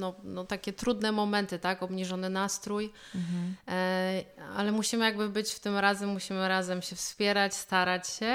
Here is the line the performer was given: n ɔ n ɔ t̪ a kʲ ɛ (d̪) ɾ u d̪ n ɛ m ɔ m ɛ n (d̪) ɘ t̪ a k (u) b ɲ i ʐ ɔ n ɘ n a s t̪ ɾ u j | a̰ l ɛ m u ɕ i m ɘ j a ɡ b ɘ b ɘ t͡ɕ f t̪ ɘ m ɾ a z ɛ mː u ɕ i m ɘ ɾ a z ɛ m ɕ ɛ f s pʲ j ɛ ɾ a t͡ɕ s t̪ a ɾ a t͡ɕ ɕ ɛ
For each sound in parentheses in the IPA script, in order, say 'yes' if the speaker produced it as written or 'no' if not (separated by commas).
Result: no, no, no